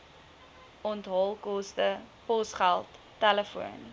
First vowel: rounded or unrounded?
rounded